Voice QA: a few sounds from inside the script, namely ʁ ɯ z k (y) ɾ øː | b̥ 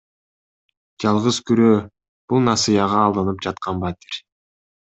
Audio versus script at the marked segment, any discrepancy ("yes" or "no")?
no